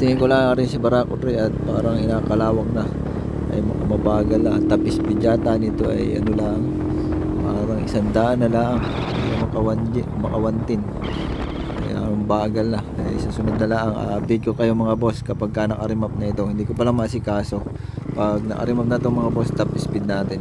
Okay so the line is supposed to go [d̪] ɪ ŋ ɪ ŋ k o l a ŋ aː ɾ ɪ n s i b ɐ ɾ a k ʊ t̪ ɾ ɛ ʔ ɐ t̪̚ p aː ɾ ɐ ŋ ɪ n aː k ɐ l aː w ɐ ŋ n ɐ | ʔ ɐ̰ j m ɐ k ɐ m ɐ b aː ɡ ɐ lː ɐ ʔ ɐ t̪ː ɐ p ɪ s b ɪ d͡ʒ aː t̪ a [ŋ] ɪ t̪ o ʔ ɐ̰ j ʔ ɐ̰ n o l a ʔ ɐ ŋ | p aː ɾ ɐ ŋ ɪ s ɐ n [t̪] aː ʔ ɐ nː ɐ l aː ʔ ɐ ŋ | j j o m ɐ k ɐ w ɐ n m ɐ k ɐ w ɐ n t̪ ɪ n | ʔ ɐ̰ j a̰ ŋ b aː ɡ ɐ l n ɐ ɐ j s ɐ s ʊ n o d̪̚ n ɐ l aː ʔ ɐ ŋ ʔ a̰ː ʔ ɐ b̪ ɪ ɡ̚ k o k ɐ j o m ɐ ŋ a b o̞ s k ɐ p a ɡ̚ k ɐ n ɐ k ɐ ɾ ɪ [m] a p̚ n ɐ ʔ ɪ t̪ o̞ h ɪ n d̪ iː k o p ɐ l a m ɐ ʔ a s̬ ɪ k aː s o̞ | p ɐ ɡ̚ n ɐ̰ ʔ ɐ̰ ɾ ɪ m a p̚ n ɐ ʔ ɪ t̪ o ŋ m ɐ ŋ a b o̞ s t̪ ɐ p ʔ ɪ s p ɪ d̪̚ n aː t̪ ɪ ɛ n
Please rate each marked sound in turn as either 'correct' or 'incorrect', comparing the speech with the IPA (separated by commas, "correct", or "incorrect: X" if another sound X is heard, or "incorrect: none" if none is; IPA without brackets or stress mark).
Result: incorrect: t̪, incorrect: n, incorrect: d̪, correct